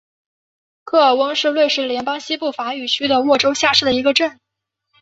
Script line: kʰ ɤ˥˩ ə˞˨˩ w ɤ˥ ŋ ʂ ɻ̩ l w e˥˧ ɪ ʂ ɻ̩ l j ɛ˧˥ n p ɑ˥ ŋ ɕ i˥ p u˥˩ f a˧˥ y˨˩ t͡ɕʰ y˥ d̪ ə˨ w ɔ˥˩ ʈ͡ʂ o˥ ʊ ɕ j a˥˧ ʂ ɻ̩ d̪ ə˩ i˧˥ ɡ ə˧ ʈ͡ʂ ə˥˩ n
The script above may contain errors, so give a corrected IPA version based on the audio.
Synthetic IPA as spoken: kʰ ɤ˥˩ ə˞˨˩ w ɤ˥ ŋ ʂ ɻ̩ l w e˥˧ ɪ ʂ ɻ̩ l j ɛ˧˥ n p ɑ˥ ŋ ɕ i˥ p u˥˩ f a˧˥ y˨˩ t͡ɕʰ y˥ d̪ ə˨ w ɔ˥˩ ʈ͡ʂ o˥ ʊ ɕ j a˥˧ ʂ ɻ̩ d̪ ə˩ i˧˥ ɡ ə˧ ʈ͡ʂ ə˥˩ n

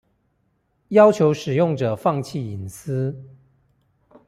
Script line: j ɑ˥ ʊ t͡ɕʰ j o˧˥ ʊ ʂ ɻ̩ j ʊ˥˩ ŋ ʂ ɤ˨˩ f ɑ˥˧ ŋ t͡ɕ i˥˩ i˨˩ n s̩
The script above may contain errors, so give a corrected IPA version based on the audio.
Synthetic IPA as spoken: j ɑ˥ ʊ t͡ɕʰ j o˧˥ ʊ ʂ ɻ̩ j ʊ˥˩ ŋ ʈ͡ʂ ɤ˨˩ f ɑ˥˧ ŋ t͡ɕʰ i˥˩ i˨˩ n s̩

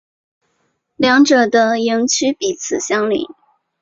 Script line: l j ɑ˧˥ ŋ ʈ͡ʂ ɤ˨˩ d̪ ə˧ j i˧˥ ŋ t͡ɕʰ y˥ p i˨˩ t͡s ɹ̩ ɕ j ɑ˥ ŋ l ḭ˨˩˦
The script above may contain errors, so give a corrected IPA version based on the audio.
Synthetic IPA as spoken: l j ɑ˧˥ ŋ ʈ͡ʂ ɤ˨˩ d̪ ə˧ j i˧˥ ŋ t͡ɕʰ y˥ p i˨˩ t͡sʰ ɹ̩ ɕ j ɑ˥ ŋ l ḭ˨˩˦

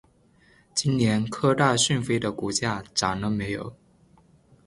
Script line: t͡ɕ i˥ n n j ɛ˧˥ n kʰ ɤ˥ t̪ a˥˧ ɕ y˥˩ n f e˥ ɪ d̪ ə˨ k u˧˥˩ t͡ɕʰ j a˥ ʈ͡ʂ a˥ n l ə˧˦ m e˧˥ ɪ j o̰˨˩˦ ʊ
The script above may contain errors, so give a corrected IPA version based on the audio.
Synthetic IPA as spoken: t͡ɕ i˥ n n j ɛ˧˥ n kʰ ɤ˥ t̪ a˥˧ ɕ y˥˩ n f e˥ ɪ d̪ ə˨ k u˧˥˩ t͡ɕ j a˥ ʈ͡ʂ a˨˩ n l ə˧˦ m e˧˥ ɪ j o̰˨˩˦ ʊ

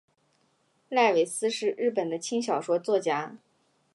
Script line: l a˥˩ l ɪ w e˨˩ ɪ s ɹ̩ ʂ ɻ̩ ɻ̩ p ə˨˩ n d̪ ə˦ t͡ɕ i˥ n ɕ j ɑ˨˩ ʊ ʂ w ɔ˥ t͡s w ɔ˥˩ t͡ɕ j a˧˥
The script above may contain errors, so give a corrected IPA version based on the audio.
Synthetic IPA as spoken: l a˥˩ ɪ w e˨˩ ɪ s ɹ̩ ʂ ɻ̩ ɻ̩ p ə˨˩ n d̪ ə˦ t͡ɕʰ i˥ ŋ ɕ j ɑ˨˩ ʊ ʂ w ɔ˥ t͡s w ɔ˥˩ t͡ɕ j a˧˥

